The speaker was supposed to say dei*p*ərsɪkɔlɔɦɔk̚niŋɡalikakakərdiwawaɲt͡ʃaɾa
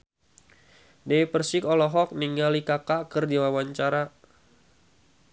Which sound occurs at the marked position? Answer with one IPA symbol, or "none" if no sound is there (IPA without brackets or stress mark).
p